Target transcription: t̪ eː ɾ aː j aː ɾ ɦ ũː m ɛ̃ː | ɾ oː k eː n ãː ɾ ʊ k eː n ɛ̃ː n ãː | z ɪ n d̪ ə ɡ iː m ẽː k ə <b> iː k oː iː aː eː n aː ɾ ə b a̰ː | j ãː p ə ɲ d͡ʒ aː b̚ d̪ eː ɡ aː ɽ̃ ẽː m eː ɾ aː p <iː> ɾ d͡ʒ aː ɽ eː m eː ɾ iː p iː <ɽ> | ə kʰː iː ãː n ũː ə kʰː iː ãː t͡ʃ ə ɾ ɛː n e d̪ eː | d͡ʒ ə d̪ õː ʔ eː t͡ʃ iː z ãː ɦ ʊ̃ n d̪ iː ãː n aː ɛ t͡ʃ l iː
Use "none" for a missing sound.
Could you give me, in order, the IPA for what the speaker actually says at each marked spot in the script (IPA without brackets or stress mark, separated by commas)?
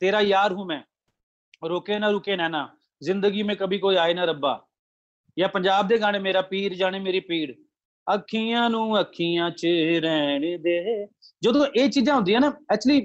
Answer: b, iː, ɽ